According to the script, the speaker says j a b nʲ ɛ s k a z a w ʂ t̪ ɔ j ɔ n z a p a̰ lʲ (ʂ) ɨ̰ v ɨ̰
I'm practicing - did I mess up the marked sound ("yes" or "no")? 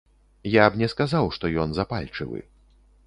yes